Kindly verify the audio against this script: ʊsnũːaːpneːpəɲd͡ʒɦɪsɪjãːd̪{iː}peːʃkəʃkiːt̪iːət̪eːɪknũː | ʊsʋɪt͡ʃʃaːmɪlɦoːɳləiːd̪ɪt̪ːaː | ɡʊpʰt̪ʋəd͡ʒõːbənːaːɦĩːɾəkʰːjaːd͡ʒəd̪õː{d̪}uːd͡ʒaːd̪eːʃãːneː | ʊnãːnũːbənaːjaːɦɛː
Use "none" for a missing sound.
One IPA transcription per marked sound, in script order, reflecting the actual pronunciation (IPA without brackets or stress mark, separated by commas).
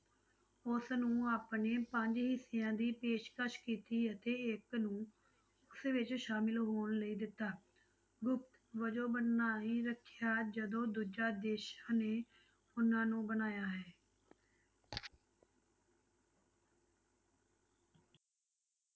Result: iː, d̪